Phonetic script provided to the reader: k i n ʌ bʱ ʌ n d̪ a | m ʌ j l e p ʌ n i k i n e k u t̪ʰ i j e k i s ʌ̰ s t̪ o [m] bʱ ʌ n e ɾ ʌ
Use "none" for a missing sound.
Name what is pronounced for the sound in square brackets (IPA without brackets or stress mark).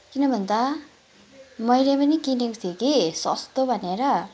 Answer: none